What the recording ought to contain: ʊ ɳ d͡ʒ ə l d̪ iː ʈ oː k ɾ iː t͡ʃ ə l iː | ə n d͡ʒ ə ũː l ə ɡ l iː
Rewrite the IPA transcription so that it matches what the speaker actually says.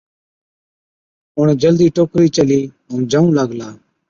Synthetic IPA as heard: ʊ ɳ d͡ʒ ə l d̪ iː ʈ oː k ɾ iː t͡ʃ ə l iː | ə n d͡ʒ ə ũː l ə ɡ l aː